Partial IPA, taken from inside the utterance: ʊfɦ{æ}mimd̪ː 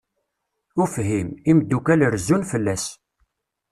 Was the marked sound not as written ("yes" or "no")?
yes